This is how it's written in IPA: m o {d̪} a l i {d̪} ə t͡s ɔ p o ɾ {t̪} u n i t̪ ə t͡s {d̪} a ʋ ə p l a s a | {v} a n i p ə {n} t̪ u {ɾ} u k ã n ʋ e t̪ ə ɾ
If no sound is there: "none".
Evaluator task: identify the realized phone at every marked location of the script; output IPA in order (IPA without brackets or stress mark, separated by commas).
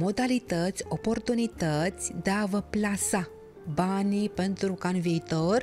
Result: d̪, t̪, t̪, d̪, b, n, ɾ